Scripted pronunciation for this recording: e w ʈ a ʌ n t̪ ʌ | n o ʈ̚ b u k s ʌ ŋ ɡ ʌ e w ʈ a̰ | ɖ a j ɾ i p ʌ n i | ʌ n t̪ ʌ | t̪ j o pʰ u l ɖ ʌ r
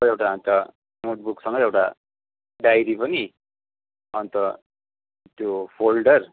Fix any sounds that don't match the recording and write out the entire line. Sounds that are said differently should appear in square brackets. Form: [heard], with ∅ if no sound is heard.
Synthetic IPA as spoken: e w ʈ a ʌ n t̪ ʌ | n o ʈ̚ b u k s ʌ ŋ ɡ ʌ e w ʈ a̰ | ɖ a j ɾ i p ʌ n i | ʌ n t̪ ʌ | t̪ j o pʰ [o] l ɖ ʌ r